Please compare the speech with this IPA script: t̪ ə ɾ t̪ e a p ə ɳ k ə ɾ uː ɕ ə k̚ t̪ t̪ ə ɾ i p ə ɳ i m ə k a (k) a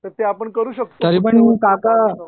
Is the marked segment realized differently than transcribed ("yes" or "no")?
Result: no